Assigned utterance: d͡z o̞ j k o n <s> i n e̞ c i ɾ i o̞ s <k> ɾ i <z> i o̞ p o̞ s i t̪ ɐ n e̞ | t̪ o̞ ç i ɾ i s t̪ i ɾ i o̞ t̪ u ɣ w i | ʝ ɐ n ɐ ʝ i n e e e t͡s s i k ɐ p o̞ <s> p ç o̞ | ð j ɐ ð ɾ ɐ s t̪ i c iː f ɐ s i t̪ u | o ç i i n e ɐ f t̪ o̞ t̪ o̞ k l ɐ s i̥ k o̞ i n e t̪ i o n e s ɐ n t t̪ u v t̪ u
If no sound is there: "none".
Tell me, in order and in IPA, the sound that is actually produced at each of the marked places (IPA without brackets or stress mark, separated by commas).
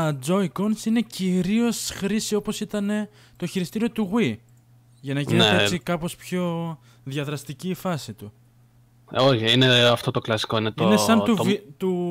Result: s, x, s, s